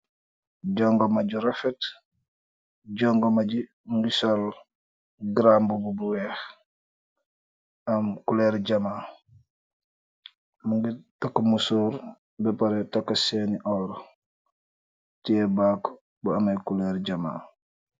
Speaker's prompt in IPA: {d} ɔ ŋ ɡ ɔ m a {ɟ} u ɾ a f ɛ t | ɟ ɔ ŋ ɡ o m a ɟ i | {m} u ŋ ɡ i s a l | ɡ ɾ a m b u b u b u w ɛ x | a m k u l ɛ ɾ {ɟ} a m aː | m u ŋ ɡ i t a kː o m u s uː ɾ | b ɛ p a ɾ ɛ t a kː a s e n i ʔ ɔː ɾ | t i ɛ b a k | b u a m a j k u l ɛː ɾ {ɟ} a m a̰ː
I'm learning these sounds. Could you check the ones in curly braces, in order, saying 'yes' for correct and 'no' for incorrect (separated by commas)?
no, yes, yes, yes, yes